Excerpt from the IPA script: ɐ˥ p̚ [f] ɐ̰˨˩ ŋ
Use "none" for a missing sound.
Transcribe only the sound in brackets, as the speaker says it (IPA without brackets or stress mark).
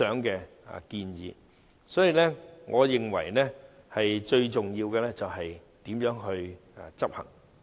h